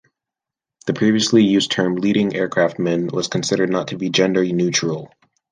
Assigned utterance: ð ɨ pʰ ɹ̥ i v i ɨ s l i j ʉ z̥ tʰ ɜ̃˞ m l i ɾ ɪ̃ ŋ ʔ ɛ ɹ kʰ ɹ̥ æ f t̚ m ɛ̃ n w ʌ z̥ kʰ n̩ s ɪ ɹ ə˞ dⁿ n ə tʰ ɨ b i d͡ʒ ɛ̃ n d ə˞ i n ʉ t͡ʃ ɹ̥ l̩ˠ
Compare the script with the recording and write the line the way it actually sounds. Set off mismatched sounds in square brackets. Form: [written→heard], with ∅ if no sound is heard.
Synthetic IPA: ð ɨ pʰ ɹ̥ i v i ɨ s l i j ʉ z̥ tʰ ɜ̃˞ m l i ɾ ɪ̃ ŋ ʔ ɛ ɹ kʰ ɹ̥ æ f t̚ m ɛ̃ n w ʌ z̥ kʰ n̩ s ɪ [ɹ→ɾ] ə˞ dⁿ n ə tʰ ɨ b i d͡ʒ ɛ̃ n d ə˞ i n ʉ t͡ʃ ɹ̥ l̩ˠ